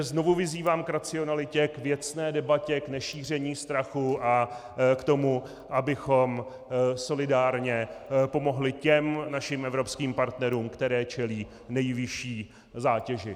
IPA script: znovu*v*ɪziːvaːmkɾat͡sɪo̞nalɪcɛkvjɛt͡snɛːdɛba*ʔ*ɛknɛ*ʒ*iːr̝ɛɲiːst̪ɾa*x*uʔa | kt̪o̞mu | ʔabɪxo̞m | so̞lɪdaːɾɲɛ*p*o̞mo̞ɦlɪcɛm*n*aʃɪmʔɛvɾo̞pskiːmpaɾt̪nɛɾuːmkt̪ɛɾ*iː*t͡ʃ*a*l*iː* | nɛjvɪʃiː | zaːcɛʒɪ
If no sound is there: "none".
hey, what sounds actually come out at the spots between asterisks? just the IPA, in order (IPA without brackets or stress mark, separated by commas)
v, c, ʃ, x, p, n, ɛː, ɛ, iː